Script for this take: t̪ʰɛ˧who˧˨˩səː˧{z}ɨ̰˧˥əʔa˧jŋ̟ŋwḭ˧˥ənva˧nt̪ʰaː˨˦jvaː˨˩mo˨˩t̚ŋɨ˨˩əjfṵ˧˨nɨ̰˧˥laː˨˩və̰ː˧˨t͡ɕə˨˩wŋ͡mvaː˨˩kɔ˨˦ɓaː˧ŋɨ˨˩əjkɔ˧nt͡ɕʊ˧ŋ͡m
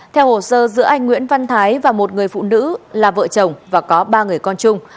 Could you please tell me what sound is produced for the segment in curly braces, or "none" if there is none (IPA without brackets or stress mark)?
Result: z